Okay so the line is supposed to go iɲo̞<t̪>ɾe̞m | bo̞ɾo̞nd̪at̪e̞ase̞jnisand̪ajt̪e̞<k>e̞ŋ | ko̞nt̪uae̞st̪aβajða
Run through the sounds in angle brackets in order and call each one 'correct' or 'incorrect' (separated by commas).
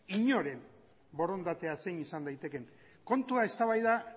incorrect, correct